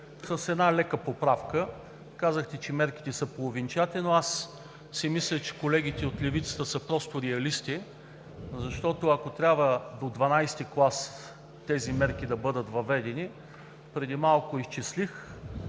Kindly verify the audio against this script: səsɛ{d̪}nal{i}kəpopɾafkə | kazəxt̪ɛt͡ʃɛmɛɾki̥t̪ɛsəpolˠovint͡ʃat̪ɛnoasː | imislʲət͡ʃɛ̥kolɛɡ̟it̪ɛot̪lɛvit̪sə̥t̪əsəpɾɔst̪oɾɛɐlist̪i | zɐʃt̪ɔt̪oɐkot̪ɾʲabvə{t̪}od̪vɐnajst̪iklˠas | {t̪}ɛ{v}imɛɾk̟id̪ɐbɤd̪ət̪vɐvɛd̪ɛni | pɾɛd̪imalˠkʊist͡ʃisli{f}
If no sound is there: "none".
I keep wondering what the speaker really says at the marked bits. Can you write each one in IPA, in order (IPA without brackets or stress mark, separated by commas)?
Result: d̪, ɛ, d̪, t̪, z, x